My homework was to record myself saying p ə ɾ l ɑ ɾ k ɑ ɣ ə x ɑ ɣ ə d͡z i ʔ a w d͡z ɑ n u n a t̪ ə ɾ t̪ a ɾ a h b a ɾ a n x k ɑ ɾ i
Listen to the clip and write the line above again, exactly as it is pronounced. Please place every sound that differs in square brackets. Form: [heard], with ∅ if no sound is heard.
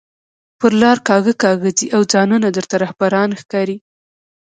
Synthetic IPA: p ə ɾ l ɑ ɾ k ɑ ɣ ə [k] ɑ ɣ ə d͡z i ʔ a w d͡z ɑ n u n a [d̪] ə ɾ t̪ a ɾ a h b a ɾ [ɑ] n x k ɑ ɾ i